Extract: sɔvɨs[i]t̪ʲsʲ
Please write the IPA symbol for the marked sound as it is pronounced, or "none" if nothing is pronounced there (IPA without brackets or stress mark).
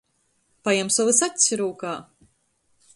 a